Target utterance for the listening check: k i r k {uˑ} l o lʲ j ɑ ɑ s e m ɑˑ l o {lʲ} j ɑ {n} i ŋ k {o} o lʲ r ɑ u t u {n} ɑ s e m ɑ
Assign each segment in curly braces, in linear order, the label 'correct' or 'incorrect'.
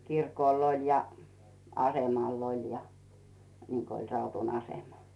incorrect: oˑ, correct, correct, correct, correct

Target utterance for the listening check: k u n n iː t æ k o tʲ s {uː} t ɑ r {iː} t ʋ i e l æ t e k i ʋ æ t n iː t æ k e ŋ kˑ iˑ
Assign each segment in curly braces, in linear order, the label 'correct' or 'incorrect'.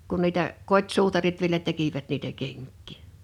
correct, incorrect: i

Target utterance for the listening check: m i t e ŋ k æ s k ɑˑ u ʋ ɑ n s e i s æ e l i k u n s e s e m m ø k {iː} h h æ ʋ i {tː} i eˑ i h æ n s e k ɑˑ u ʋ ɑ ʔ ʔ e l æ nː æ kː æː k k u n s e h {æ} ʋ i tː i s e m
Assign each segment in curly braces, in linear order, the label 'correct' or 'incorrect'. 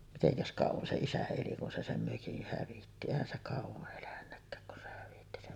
incorrect: i, correct, correct

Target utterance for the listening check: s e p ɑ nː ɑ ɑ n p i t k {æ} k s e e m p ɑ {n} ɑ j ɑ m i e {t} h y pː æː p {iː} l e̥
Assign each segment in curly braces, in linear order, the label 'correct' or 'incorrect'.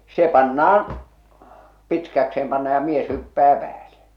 correct, incorrect: nː, incorrect: s, incorrect: æː

